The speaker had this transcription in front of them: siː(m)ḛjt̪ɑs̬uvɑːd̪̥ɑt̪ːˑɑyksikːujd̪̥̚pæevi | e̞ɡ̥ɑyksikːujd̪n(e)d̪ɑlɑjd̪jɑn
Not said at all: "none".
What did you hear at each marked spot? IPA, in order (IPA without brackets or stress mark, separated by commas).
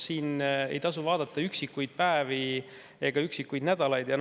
n, æ